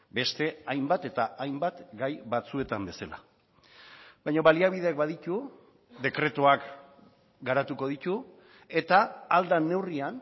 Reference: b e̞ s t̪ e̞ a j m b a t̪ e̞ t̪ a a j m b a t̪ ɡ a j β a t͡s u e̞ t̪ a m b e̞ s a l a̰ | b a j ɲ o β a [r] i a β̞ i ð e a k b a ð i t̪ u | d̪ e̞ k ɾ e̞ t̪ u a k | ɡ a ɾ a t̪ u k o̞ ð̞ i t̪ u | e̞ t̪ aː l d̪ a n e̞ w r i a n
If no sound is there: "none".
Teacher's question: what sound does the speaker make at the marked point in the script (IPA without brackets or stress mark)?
l